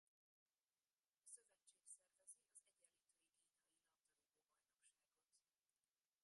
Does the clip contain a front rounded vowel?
yes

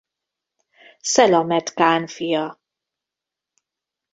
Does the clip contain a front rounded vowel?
no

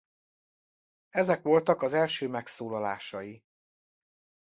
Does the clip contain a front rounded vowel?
yes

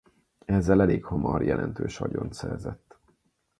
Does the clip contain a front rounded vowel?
yes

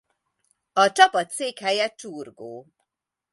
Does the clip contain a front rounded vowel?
no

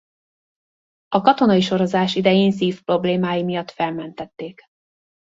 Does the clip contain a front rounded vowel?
no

